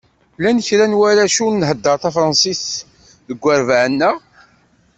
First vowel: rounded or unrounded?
unrounded